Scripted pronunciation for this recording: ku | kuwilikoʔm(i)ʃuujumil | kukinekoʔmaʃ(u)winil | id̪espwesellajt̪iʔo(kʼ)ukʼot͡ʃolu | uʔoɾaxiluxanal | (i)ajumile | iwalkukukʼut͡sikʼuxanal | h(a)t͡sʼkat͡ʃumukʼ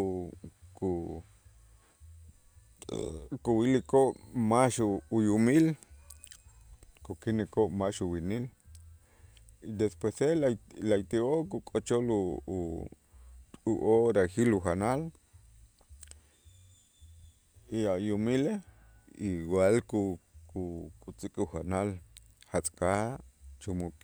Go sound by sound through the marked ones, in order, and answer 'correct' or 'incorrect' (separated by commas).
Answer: incorrect, correct, incorrect, correct, correct